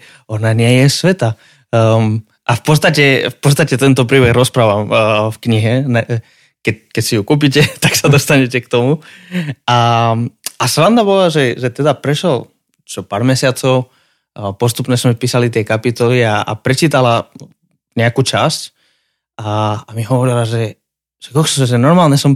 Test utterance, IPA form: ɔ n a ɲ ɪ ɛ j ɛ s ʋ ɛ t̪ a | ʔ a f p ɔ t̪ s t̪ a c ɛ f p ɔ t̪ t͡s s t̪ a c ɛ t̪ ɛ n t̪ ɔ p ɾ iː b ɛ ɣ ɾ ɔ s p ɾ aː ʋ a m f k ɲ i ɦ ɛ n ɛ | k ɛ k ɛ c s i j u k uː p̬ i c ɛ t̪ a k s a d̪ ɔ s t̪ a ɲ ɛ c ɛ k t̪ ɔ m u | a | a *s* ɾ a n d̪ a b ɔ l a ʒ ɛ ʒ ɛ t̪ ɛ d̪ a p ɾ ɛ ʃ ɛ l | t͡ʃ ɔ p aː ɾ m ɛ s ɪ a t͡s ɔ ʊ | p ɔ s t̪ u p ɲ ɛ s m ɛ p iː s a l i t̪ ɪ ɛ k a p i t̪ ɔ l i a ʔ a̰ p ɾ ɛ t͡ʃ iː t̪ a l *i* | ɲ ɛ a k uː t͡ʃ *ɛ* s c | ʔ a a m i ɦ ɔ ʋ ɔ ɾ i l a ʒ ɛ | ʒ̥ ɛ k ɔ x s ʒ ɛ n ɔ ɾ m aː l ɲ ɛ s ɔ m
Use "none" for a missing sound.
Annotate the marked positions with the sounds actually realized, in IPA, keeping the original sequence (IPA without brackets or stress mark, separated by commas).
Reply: s, a, a